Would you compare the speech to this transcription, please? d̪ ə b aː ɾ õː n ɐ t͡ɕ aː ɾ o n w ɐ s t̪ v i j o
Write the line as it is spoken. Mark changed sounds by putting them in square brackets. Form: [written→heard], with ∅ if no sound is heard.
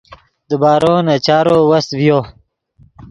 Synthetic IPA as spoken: d̪ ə b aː ɾ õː n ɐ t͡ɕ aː ɾ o [n→∅] w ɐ s t̪ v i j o